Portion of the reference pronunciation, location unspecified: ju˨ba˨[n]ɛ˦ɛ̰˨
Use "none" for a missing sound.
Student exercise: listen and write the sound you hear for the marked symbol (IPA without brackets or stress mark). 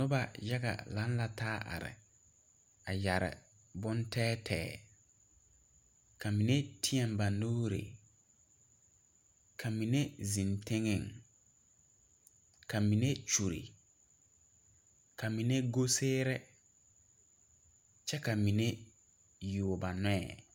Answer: n